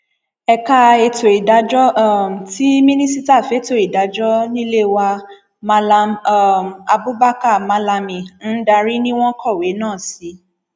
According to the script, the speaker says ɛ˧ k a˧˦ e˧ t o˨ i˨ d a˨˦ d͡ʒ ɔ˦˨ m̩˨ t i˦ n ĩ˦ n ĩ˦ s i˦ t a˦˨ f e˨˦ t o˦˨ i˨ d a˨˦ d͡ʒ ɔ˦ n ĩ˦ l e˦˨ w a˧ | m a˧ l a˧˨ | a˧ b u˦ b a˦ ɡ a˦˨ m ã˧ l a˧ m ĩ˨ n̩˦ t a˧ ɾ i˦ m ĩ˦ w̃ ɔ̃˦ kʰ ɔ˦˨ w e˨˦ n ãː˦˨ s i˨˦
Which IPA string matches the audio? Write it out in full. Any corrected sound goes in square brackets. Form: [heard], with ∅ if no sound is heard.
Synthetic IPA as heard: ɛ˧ k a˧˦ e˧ t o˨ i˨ d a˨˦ d͡ʒ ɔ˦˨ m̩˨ t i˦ [m] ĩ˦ n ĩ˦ s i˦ t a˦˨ f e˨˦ t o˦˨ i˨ d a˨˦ d͡ʒ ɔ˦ n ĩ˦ l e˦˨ w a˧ | m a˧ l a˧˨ | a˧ b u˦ b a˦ [k] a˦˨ m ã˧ l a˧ m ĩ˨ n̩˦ [d] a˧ ɾ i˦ [n] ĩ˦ w̃ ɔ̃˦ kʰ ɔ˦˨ w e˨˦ n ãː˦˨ s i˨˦